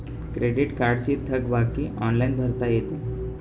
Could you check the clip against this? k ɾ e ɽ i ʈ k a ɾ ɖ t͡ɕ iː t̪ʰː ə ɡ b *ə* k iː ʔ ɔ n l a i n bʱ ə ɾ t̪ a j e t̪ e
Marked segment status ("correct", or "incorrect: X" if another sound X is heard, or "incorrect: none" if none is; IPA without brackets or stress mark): incorrect: a